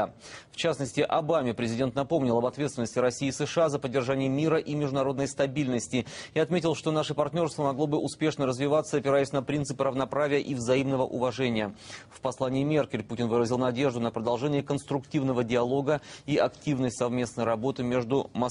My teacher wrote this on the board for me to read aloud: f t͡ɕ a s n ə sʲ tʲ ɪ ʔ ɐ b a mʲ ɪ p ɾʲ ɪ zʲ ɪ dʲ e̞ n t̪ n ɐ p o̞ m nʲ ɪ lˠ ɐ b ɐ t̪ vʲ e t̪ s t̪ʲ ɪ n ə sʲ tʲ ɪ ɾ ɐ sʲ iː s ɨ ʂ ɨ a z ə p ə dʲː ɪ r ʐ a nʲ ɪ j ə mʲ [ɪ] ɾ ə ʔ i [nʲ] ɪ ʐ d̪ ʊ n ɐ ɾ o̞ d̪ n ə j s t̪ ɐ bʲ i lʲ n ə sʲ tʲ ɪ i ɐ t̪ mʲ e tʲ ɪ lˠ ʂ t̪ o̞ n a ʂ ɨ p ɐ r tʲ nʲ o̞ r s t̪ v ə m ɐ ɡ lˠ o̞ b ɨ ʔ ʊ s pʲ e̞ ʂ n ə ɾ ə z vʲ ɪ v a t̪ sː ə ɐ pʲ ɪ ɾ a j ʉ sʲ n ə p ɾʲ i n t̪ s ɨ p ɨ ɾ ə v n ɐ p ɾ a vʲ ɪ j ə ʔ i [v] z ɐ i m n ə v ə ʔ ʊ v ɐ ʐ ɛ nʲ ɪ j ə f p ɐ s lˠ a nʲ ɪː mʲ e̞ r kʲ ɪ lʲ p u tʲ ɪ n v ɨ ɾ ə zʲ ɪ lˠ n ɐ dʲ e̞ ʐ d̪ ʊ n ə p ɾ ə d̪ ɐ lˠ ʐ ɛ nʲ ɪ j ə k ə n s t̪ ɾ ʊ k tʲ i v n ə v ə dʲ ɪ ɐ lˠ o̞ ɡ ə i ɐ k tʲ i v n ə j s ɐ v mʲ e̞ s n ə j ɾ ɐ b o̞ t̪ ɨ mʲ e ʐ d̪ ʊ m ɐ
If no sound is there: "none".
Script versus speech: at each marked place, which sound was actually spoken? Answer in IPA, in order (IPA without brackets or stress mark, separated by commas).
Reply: i, mʲ, v